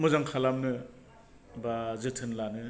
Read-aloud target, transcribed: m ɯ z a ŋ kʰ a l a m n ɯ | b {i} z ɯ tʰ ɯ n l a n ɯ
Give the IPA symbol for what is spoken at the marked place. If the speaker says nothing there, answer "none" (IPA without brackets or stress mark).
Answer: a